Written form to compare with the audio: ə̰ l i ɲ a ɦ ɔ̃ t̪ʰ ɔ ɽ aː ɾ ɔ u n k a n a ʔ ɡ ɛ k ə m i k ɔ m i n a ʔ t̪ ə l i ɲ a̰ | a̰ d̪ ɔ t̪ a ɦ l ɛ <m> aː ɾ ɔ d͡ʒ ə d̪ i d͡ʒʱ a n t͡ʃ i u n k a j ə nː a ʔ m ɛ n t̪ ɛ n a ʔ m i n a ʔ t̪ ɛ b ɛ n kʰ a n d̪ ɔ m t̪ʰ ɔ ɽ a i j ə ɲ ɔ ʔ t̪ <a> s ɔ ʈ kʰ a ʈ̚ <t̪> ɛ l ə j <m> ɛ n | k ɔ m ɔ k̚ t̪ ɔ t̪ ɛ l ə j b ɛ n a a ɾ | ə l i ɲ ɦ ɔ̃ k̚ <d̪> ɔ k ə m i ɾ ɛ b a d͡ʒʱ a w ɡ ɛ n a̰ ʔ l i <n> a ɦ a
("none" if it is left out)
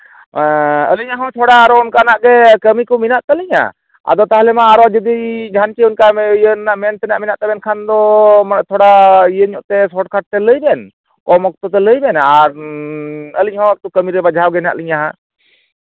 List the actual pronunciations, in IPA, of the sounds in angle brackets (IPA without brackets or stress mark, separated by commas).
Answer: m, ɛ, t̪, b, t̪, ɲ